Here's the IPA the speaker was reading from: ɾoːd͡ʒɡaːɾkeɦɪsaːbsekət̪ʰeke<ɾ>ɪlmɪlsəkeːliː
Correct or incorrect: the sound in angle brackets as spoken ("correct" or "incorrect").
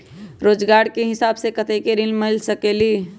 correct